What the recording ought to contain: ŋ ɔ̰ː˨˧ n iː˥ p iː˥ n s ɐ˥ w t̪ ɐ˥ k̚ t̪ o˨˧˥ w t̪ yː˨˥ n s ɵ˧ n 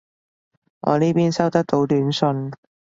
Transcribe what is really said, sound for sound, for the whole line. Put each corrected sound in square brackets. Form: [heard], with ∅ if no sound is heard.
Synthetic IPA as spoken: ŋ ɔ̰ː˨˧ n iː˥ p iː˥ n s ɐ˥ w t̪ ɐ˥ k̚ t̪ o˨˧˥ w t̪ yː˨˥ n s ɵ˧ n